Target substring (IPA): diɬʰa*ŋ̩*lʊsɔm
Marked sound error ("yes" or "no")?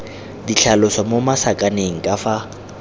yes